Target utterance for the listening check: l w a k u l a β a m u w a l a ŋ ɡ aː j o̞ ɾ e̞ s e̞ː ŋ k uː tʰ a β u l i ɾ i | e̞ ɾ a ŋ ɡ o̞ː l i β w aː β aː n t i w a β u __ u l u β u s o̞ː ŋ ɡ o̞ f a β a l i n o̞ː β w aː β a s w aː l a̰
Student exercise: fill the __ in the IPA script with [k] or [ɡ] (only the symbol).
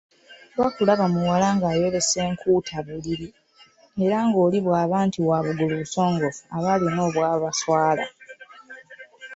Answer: ɡ